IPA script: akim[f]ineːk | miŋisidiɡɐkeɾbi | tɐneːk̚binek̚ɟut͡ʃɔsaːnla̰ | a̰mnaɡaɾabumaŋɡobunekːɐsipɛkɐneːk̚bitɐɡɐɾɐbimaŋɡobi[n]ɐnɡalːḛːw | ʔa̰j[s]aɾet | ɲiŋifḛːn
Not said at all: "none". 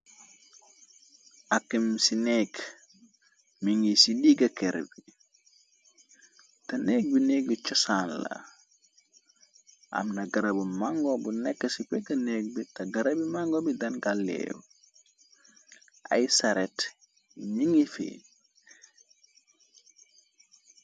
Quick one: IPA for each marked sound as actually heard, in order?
s, d, s

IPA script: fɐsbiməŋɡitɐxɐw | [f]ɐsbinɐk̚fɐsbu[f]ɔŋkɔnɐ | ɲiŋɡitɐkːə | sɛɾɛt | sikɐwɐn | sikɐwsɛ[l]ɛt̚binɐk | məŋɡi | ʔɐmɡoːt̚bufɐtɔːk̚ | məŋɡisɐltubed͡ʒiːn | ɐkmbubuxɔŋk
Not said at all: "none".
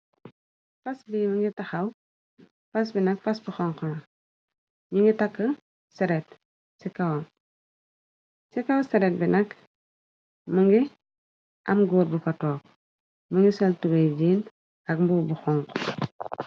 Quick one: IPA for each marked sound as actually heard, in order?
f, x, ɾ

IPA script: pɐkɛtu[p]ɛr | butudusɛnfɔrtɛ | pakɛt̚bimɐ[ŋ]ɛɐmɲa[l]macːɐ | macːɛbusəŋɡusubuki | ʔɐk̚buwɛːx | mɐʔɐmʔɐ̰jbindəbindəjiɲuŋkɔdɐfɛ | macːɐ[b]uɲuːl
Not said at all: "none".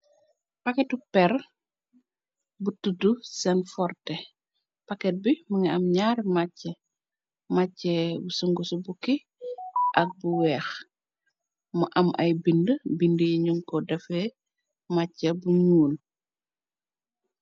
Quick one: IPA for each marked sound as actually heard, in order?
p, ŋ, ɾ, b

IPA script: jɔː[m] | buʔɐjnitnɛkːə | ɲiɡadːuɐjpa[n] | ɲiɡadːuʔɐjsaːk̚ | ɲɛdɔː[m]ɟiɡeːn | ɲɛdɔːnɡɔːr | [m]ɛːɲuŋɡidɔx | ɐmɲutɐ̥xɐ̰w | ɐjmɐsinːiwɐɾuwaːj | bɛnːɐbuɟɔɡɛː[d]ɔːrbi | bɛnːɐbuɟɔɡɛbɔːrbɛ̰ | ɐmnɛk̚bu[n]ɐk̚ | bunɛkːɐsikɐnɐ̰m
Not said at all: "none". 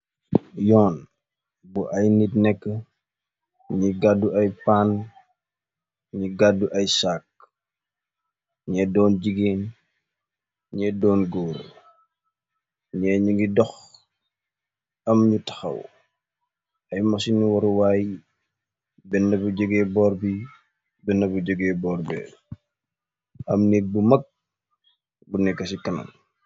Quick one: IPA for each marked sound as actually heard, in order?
n, n, n, ɲ, b, m

